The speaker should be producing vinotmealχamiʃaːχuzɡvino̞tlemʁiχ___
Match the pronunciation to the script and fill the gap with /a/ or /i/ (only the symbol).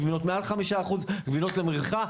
a